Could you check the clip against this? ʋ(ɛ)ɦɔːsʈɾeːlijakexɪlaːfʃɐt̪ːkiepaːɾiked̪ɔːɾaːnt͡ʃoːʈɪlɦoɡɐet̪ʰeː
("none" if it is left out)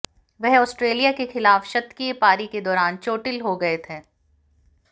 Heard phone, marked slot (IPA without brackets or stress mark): ɛ